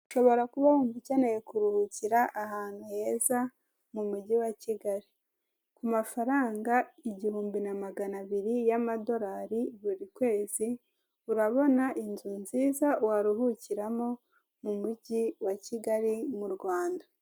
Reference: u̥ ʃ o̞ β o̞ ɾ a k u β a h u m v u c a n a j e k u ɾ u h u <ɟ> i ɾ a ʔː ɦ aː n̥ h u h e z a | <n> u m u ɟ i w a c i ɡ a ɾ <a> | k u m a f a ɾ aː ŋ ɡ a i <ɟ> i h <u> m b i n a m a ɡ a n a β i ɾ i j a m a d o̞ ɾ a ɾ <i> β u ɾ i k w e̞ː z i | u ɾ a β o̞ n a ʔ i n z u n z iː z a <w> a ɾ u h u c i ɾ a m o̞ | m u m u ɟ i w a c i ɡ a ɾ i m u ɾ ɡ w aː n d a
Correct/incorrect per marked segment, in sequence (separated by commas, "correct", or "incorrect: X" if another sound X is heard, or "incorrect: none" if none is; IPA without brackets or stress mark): incorrect: c, incorrect: m, incorrect: i, correct, incorrect: uː, correct, correct